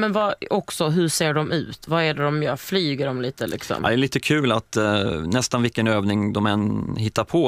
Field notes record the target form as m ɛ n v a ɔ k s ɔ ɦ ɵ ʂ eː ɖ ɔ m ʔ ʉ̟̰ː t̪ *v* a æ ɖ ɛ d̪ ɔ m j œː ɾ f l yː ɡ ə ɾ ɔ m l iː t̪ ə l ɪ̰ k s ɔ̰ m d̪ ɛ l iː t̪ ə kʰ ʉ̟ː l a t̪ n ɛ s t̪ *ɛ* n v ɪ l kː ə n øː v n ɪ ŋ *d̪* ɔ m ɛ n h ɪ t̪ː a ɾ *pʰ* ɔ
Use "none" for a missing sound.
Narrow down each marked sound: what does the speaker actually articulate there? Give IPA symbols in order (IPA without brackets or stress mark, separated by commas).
v, a, d̪, pʰ